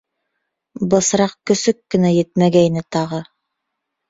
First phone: b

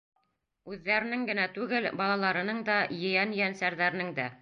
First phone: ʉ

